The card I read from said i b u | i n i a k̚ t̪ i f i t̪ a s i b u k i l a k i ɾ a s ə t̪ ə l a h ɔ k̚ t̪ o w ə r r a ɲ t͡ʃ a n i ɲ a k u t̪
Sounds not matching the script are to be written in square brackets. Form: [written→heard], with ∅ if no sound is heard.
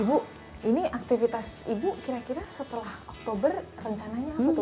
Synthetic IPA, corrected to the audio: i b u | i n i a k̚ t̪ i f i t̪ a s i b u k i [l→ɾ] a k i ɾ a s ə t̪ ə l a h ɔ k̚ t̪ o [w→b] ə r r [a→ə] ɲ t͡ʃ a n [i→a] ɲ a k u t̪